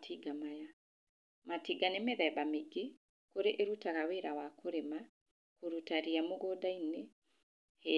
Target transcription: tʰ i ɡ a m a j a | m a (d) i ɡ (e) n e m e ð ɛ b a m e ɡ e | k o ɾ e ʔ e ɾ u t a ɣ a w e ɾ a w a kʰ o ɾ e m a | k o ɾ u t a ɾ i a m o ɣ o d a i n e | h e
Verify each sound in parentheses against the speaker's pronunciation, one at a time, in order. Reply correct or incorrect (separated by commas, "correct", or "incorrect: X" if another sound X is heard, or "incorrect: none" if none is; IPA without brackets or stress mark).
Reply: incorrect: t, incorrect: a